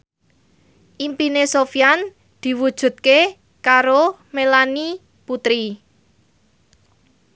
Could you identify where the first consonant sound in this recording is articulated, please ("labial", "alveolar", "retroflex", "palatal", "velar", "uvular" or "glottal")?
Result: glottal